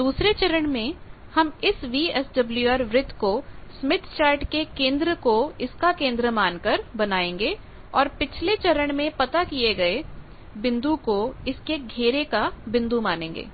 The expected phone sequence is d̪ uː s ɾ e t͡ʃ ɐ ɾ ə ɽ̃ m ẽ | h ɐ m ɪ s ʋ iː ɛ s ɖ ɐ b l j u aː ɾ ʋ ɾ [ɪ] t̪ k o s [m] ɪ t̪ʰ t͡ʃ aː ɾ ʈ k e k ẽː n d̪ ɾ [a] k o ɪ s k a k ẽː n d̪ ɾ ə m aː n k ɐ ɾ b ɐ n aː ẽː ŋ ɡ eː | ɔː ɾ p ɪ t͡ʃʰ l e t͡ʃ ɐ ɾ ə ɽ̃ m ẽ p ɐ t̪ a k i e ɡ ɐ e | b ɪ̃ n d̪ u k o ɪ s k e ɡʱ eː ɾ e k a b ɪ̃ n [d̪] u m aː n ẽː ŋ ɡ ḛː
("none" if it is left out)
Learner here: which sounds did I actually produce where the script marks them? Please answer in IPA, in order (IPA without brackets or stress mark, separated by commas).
ɪ, m, ə, d̪